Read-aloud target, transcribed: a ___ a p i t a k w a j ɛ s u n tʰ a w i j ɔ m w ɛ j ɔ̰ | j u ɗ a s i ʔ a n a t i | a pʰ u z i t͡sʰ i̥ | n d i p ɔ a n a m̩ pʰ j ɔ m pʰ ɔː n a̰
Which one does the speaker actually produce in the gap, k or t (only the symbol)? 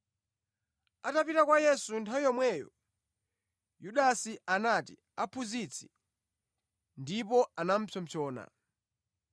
t